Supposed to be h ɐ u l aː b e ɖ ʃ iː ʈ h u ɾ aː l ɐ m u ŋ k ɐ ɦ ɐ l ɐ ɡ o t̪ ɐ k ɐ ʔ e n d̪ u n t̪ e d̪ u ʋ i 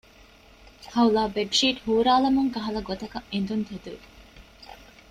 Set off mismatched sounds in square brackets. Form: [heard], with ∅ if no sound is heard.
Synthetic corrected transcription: h ɐ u l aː b e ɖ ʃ iː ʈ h [uː] ɾ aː l ɐ m u ŋ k ɐ ɦ ɐ l ɐ ɡ o t̪ ɐ k ɐ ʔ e n d̪ u n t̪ e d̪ u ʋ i